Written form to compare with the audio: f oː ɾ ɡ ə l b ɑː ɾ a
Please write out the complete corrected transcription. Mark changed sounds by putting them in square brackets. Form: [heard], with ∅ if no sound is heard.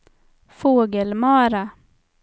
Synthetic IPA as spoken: f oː [∅] ɡ ə l [m] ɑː ɾ a